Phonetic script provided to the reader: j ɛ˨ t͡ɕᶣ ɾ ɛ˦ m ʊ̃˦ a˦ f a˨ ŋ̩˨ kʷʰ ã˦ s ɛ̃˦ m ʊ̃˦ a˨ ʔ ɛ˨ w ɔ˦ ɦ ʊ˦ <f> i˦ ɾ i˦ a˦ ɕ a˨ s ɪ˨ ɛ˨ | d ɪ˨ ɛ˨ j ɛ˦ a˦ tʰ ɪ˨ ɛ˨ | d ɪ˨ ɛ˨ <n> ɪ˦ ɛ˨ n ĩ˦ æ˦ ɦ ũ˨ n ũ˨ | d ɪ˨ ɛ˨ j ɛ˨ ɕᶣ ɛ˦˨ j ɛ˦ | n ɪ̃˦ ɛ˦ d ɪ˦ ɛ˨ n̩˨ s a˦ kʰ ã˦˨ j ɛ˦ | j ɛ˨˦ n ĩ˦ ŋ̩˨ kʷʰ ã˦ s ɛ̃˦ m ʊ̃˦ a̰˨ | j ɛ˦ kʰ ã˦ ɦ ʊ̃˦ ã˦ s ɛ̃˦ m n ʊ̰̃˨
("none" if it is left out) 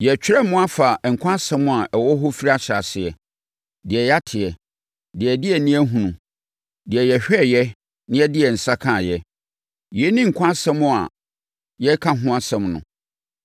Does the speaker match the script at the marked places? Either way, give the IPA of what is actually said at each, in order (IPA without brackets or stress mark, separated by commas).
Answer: f, d